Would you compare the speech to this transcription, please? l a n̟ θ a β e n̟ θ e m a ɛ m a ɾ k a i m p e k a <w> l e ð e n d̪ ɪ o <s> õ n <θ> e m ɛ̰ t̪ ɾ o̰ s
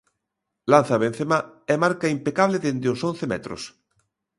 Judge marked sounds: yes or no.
no, yes, yes

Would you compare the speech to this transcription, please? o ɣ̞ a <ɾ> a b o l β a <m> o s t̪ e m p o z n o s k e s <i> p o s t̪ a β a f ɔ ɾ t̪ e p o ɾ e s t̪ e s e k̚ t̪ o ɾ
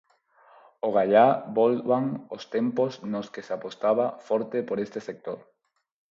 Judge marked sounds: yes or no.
no, no, no

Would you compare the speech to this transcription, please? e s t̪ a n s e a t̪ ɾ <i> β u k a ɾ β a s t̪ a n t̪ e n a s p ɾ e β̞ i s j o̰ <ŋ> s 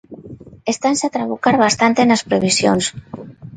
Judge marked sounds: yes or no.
no, no

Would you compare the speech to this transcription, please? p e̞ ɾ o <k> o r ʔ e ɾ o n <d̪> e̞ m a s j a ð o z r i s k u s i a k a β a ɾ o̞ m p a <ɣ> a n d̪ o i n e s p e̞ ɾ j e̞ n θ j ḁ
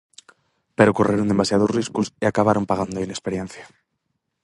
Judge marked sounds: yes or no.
yes, yes, yes

